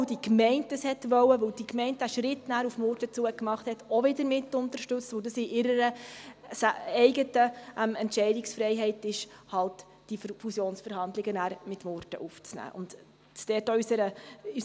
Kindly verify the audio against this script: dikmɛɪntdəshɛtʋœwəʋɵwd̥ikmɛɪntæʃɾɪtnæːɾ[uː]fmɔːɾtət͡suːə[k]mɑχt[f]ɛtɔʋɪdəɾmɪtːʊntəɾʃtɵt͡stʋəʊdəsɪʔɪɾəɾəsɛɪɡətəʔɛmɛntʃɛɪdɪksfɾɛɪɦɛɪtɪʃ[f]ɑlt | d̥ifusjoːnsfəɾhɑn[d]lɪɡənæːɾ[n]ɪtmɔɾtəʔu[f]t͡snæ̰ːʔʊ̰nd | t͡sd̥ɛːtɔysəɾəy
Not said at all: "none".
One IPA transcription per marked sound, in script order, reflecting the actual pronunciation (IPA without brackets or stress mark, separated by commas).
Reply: u, k, h, h, d, m, f